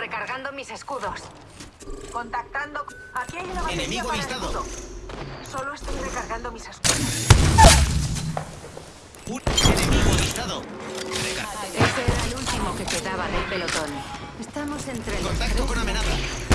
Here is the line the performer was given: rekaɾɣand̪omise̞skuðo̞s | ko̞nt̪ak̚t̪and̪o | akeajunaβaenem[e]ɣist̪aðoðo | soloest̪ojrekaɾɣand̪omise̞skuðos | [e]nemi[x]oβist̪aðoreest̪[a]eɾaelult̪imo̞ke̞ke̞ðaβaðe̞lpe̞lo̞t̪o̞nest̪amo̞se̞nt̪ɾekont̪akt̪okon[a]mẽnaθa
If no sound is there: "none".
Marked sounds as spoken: i, e, ɣ, e, a

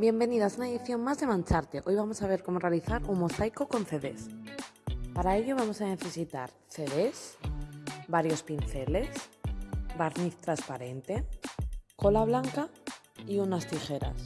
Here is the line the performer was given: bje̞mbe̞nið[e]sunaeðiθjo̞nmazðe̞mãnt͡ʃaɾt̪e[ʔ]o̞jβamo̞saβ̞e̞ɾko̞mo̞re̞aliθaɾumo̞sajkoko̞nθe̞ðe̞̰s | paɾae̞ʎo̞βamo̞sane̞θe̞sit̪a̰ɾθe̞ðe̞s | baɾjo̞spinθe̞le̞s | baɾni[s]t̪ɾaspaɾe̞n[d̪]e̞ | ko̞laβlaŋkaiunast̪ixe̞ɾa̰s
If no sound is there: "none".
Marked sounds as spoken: a, ʔ, θ, t̪

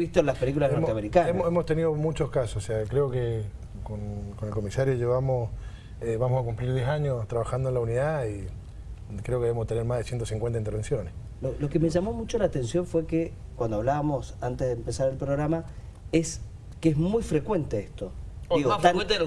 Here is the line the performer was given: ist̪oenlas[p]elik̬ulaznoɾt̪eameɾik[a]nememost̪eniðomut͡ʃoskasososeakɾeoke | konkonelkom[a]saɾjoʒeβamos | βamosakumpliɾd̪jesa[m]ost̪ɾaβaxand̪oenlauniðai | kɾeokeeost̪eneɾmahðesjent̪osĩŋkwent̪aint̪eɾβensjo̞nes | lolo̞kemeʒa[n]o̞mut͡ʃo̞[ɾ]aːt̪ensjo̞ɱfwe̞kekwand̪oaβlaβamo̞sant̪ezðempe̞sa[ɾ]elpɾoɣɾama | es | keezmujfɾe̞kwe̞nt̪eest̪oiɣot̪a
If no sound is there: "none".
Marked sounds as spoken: p, a, i, ɲ, m, l, ɾ

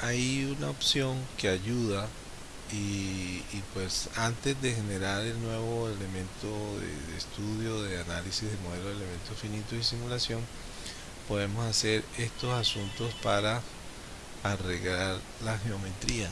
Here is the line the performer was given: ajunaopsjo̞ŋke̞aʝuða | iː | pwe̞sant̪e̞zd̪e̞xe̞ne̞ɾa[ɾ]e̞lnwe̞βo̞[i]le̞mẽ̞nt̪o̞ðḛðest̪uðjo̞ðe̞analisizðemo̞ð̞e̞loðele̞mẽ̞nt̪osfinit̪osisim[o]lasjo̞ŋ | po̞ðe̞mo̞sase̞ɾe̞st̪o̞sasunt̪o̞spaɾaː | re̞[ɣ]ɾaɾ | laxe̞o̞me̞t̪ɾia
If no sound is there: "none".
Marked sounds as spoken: ɾ, e, u, ɣ

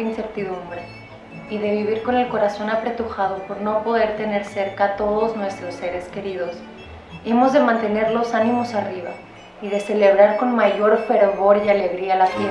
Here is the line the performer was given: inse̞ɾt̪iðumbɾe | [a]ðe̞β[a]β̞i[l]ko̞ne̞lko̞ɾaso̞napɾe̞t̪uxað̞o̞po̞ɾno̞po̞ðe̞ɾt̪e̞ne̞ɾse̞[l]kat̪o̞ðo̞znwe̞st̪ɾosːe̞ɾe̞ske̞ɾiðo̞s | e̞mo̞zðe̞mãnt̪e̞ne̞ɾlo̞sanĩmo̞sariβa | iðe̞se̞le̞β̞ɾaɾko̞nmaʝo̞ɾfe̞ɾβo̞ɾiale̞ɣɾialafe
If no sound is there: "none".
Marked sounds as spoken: i, i, ɾ, ɾ

